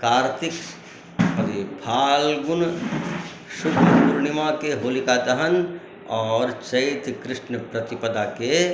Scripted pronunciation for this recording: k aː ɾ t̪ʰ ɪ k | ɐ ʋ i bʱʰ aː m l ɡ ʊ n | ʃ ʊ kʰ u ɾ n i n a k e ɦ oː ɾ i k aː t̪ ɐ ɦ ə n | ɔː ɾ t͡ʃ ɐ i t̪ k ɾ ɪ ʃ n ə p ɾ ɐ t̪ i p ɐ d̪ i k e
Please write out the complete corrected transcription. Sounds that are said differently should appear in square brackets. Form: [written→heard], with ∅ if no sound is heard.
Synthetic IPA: k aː ɾ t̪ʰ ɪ k | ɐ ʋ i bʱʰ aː [m→∅] l ɡ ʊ n | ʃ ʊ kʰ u ɾ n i [n→m] a k e ɦ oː [ɾ→l] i k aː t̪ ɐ ɦ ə n | ɔː ɾ t͡ʃ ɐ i t̪ k ɾ ɪ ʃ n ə p ɾ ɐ t̪ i p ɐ d̪ [i→a] k e